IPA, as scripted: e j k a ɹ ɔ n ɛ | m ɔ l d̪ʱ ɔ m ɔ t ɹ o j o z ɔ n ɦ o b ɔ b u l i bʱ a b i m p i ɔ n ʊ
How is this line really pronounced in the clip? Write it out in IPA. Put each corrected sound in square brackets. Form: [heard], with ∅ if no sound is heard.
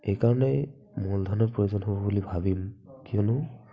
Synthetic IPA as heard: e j k a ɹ ɔ n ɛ | m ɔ l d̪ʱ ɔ [n] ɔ [p] ɹ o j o z ɔ n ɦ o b ɔ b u l i bʱ a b i m [k] i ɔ n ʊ